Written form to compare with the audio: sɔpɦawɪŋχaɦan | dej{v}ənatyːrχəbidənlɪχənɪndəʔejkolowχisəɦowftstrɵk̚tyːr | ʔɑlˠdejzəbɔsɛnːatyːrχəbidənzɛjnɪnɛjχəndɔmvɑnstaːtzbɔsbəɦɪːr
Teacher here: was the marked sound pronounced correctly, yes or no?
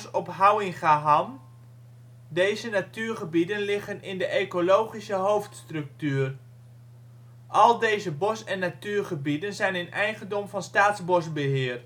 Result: no